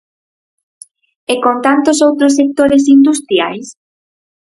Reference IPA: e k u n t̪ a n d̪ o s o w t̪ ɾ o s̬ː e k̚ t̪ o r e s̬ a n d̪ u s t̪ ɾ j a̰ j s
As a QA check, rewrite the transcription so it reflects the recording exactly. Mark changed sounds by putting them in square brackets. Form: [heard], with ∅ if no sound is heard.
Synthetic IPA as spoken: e k [o] n t̪ a n [t̪] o s o w t̪ ɾ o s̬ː e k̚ t̪ o [ɾ] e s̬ [i] n d̪ u s t̪ ɾ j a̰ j s

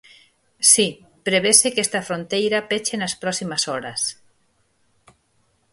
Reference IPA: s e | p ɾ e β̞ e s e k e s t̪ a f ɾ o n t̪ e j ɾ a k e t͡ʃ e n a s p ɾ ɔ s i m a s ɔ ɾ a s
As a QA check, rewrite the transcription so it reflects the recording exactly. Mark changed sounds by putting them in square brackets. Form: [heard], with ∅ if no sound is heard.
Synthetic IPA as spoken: s [i] | p ɾ e β̞ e s e k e s t̪ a f ɾ o n t̪ e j ɾ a [p] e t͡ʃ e n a s p ɾ ɔ s i m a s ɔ ɾ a s

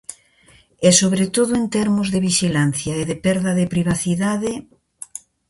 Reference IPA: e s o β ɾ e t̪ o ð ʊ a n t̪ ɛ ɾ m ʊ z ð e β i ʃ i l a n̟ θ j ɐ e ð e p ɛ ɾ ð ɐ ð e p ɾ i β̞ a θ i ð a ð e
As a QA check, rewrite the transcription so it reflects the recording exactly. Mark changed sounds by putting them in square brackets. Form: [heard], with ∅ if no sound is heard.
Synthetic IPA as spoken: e s o β ɾ e t̪ o ð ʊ [e] n t̪ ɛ ɾ m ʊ z ð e β i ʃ i l a n̟ θ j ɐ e ð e p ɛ ɾ ð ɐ ð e p ɾ i β̞ a θ i ð a ð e

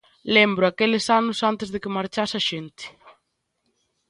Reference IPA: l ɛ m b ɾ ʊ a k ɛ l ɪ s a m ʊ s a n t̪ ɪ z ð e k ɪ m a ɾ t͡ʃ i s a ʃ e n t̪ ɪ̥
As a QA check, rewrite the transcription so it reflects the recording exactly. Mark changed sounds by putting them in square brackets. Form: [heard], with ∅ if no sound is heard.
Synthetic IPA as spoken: l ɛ m b ɾ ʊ a k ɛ l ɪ s a [n] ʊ s a n t̪ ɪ z ð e k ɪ m a ɾ t͡ʃ [a] s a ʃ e n t̪ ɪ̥

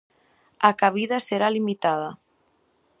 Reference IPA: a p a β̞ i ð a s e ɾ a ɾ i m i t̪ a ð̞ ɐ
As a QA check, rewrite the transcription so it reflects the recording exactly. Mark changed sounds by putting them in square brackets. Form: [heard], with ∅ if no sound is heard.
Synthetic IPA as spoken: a [k] a β̞ i ð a s e ɾ a [l] i m i t̪ a ð̞ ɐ

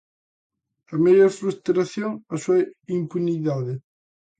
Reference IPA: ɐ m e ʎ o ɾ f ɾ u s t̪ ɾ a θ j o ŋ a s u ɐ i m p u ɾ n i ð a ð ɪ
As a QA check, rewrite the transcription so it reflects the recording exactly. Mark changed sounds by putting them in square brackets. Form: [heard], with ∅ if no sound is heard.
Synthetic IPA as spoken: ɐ m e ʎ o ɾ f ɾ u s t̪ ɾ a θ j o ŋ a s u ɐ i m p u [∅] n i ð a ð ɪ

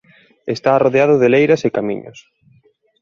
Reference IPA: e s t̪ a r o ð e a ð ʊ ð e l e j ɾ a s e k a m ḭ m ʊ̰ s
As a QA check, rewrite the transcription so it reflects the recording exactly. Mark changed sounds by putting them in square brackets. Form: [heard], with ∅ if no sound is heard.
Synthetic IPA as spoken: e s t̪ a r o ð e a ð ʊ ð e l e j ɾ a s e k a m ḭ [ɲ] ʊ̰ s

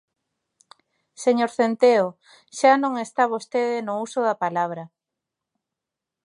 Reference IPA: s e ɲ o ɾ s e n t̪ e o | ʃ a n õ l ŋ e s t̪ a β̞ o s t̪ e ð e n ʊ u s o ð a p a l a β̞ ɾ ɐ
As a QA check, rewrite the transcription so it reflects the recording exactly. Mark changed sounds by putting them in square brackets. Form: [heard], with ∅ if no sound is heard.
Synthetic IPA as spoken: s e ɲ o ɾ [θ] e n t̪ e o | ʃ a n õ [∅] ŋ e s t̪ a β̞ o s t̪ e ð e n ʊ u s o ð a p a l a β̞ ɾ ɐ

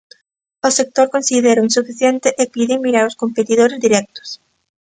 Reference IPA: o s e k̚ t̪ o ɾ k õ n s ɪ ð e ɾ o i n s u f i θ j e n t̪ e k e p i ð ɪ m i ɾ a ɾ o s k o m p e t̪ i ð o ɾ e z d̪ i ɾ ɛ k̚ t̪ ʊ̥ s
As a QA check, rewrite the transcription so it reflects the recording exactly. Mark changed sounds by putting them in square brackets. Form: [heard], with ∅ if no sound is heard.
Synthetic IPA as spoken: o s e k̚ t̪ o ɾ k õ n s [i] ð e ɾ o i n s u f i θ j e n t̪ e [ʔ] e p i ð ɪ m i ɾ a ɾ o s k o m p e t̪ i ð o ɾ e z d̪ i ɾ ɛ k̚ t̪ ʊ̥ s

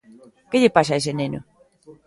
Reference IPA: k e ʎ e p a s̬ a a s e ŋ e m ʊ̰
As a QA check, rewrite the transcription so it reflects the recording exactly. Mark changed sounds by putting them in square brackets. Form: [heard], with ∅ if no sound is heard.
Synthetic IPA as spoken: k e ʎ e p a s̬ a [e] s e [n] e [n] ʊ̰

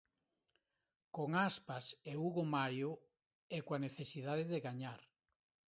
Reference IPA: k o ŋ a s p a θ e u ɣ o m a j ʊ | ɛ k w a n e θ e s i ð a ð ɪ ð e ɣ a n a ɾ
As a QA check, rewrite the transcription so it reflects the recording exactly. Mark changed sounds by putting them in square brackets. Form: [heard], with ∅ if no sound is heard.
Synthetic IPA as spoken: k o ŋ a s p a [s] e u ɣ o m a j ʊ | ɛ k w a n e θ e s i ð a ð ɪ ð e ɣ a [ɲ] a ɾ

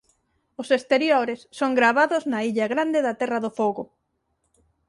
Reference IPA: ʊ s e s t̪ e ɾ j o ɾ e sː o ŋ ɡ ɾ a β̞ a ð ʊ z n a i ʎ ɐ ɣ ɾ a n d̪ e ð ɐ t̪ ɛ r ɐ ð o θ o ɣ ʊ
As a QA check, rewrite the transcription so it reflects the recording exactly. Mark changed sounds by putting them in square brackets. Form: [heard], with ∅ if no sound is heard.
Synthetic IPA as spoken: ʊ s e s t̪ e ɾ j o ɾ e sː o ŋ ɡ ɾ a β̞ a ð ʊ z n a i ʎ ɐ ɣ ɾ a n d̪ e ð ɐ t̪ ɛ r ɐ ð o [f] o ɣ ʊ

